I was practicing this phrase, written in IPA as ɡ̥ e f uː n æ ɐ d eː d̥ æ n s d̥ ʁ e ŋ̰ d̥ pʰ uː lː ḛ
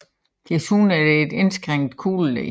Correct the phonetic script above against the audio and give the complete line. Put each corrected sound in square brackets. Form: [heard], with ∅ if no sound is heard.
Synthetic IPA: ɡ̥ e [s] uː n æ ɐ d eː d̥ [e] n s [ɡ̥] ʁ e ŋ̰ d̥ [kʰ] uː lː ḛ